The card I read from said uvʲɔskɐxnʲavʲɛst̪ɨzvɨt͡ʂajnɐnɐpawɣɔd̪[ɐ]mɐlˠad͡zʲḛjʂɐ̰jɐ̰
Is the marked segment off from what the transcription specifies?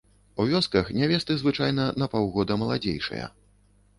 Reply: no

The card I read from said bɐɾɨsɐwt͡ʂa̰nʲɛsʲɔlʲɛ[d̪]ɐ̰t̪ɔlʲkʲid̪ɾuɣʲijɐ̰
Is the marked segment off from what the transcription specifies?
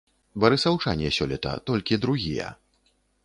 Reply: yes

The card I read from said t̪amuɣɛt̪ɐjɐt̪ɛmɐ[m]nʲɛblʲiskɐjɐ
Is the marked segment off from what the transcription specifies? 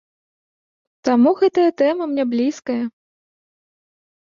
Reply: no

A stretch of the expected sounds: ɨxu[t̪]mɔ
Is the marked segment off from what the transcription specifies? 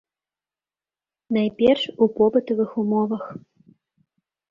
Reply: yes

